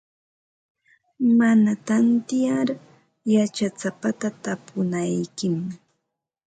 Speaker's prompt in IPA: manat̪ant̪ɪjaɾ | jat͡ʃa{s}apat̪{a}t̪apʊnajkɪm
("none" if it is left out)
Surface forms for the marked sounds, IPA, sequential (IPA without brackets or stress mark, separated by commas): t͡s, a